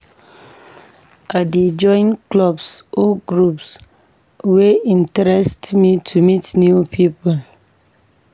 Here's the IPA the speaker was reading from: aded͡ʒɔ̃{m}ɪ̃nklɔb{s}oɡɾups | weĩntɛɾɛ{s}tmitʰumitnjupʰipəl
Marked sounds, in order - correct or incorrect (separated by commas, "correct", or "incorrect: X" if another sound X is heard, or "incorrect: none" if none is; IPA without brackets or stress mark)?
incorrect: none, correct, correct